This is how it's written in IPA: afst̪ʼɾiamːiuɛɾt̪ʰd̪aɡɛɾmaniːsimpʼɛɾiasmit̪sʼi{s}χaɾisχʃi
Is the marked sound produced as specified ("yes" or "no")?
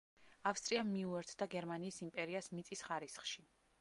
yes